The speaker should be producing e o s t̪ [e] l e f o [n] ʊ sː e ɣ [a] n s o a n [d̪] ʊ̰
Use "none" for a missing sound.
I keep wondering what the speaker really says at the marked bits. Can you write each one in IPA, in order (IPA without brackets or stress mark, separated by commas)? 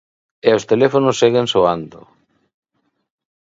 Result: e, n, e, d̪